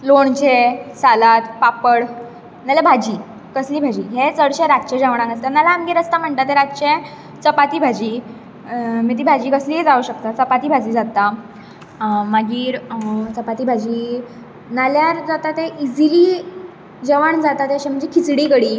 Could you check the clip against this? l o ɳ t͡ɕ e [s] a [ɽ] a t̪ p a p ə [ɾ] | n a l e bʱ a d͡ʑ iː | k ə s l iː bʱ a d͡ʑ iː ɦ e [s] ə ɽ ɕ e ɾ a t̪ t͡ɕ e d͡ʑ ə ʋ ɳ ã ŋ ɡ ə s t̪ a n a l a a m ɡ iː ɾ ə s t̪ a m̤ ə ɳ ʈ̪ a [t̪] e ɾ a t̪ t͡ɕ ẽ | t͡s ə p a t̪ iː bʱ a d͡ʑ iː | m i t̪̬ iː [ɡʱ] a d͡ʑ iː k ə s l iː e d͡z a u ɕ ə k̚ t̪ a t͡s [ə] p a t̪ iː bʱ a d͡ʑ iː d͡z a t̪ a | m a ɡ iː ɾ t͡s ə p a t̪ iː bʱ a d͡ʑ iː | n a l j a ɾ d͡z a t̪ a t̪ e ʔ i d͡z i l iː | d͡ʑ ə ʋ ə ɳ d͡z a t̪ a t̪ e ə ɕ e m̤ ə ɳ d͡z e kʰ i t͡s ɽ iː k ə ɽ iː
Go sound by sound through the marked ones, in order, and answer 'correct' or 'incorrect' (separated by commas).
correct, incorrect, incorrect, incorrect, correct, incorrect, correct